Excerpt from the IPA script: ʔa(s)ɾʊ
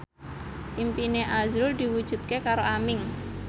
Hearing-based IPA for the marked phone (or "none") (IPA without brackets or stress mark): z